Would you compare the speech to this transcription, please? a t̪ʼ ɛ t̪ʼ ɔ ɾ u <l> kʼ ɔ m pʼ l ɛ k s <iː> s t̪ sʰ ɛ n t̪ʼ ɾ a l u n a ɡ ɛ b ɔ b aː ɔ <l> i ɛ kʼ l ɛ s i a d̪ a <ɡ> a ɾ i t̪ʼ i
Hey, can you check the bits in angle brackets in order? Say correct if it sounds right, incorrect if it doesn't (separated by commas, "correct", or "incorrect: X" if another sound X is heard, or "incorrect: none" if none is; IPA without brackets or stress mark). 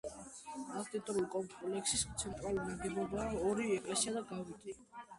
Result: correct, incorrect: i, incorrect: ɾ, correct